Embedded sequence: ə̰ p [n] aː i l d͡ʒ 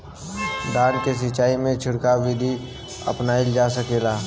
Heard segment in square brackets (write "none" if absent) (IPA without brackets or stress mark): n